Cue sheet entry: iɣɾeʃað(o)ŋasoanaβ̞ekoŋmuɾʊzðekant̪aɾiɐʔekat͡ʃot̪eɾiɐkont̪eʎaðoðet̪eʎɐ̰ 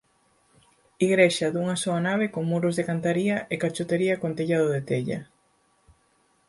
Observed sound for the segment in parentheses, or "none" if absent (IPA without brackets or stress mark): u